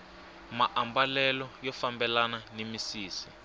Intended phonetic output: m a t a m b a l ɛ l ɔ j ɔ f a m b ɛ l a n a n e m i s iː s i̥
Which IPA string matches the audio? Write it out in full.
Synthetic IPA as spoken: m a ʔ a m b a l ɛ l ɔ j ɔ f a m b ɛ l a n a n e m i s iː s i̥

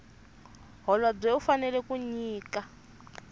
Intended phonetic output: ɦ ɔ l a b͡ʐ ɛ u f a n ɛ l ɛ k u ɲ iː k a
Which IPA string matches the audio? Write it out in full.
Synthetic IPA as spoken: ɦ ɔ l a b͡ʐ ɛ u f a n ɛ l ɛ k u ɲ iː k a

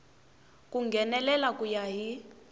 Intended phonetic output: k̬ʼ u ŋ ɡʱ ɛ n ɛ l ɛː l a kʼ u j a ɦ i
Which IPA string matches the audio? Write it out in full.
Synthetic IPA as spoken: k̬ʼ u ŋ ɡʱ ɛ n ɛ l ɛ l a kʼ u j a ɦ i

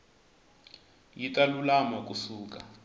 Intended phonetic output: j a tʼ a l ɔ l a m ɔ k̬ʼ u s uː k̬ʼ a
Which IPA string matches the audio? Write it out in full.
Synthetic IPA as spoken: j i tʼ a l u l a m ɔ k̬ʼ u s uː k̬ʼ a

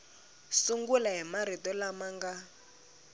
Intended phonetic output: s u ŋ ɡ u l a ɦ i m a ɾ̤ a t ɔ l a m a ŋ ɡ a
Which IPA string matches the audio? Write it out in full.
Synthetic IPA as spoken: s u ŋ ɡ u l a ɦ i m a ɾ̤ i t ɔ l a m a ŋ ɡ a

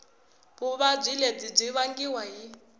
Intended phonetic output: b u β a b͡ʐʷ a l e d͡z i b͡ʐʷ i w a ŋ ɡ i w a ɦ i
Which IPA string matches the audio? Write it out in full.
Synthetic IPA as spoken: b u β a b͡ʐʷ i l e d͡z i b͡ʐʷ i β a ŋ ɡ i w a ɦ i

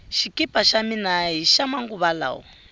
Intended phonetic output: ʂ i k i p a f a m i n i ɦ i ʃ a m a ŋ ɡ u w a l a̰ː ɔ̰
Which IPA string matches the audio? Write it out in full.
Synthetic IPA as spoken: ʃ i k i p a ʃ a m i n a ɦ i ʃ a m a ŋ ɡ u β a l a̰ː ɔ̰

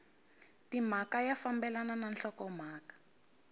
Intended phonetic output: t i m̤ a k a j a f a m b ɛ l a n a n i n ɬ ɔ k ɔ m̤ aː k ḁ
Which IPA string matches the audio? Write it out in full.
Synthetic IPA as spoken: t i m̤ a k a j a f a m b ɛ l a n a n a n ɬ ɔ k ɔ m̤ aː k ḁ

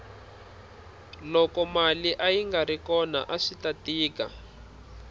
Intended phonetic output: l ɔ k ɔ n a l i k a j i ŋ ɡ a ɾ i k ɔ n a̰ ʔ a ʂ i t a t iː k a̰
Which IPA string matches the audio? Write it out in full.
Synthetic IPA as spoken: l ɔ k ɔ m a l i ʔ a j i ŋ ɡ a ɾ i k ɔ n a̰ ʔ a ʂ i t a t iː k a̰

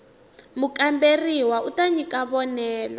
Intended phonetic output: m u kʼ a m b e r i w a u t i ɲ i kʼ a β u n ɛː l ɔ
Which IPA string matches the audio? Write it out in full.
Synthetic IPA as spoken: m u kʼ a m b e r i w a u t a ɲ i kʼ a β ɔ n ɛː l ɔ

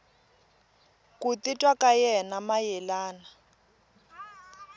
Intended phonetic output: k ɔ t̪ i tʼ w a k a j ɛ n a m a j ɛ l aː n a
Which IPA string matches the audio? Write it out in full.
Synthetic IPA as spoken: k u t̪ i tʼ w a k a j ɛ n a m a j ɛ l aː n a

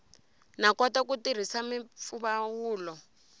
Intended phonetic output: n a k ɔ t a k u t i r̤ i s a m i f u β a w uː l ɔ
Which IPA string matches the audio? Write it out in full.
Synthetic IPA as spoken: n a k ɔ t a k u t i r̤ i s a m i f u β a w uː l ɔ

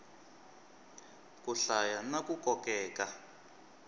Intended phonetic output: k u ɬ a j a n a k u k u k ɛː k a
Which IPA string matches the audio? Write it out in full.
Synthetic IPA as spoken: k u ɬ a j a n a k u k ɔ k ɛː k a

